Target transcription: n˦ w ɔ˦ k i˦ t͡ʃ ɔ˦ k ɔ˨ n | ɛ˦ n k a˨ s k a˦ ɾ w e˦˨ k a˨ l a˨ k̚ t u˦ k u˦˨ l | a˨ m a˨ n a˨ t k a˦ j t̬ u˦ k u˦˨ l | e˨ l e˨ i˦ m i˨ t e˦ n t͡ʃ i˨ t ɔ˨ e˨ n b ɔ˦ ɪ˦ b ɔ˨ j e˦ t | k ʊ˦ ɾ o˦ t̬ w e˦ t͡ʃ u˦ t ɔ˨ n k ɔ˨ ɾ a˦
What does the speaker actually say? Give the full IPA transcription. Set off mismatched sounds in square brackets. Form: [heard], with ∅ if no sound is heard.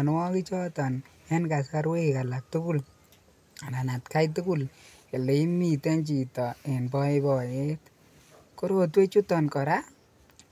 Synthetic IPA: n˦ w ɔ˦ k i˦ t͡ʃ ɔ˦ [t] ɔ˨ n | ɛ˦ n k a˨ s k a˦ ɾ w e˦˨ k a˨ l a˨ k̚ t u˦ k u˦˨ l | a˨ [n] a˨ n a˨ t k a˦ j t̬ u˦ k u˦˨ l | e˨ l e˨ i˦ m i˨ t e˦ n t͡ʃ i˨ t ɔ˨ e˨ n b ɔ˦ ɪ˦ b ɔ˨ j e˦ t | k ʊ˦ ɾ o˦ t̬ w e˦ t͡ʃ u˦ t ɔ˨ n k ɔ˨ ɾ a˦